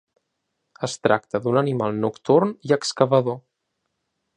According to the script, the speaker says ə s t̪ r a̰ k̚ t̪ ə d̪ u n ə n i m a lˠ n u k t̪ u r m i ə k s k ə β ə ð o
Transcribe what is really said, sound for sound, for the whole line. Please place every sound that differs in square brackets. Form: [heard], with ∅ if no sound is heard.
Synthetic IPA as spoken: ə s t̪ [ɾ] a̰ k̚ t̪ ə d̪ u n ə n i m a lˠ n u k t̪ u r [n] i ə k s k ə β ə ð o